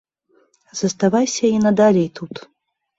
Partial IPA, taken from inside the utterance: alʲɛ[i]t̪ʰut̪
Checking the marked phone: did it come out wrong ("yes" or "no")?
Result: yes